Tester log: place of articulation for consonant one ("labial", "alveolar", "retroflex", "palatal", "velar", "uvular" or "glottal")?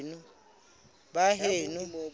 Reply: alveolar